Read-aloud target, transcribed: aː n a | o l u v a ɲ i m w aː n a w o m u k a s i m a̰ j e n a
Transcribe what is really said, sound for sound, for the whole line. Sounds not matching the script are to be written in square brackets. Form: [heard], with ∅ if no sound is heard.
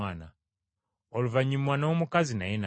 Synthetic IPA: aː n a | o l u v a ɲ i m w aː n a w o m u k a [z] i [n] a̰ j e n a